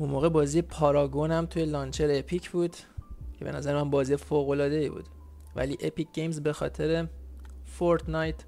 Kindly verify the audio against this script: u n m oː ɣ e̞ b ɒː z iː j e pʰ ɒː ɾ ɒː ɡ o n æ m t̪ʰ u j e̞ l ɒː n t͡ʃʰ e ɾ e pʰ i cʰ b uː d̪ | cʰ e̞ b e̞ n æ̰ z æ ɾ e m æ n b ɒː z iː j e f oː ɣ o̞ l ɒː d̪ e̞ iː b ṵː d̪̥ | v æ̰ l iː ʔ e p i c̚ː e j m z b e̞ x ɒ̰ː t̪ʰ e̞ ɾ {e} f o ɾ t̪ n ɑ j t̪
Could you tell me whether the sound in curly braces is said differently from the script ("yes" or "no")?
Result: no